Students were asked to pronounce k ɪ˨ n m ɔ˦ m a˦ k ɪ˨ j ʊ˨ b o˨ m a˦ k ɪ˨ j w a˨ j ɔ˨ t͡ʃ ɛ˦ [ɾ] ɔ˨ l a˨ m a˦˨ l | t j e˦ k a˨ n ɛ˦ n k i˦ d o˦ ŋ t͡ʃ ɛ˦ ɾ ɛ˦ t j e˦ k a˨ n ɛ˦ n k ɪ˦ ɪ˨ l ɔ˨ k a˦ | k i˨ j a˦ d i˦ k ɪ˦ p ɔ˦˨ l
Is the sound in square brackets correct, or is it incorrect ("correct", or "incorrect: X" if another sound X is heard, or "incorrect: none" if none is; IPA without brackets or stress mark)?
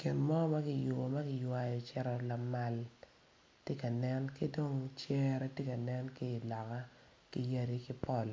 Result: correct